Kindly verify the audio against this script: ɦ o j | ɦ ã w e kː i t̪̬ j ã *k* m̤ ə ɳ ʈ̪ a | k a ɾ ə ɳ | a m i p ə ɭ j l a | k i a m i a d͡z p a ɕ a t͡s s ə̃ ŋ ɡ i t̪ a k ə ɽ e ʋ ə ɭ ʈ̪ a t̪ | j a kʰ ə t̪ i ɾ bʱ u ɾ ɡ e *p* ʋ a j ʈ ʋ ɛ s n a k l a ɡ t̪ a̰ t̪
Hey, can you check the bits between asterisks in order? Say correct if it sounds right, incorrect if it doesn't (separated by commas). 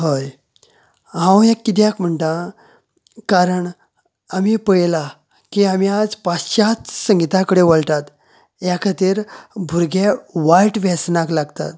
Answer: correct, incorrect